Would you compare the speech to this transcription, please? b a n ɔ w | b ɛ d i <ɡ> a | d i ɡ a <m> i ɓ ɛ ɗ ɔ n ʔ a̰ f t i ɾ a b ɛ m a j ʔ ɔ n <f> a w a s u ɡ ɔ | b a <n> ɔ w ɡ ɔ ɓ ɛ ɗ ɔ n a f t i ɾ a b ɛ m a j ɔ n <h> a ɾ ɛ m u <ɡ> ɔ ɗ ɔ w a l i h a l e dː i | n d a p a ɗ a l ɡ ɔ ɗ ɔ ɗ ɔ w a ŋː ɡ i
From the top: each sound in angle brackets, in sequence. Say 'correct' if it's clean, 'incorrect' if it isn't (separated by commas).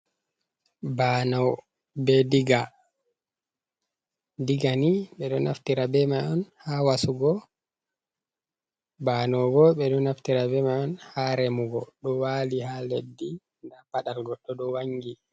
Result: correct, incorrect, incorrect, correct, correct, correct